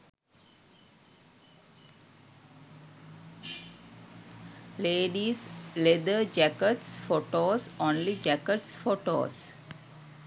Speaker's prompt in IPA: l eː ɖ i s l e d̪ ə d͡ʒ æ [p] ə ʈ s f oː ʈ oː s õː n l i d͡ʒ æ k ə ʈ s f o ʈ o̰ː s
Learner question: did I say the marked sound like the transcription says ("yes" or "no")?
no